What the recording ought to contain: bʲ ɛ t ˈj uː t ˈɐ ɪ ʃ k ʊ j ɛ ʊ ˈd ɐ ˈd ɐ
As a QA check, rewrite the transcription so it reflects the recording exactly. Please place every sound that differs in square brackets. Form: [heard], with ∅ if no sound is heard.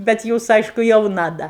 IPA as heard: bʲ ɛ t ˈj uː [s] ˈɐ ɪ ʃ k ʊ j ɛ ʊ [ˈn] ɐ ˈd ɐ